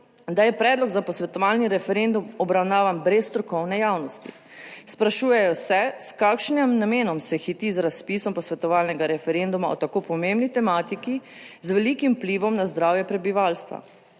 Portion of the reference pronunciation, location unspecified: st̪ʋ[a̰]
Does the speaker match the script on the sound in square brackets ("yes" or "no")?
yes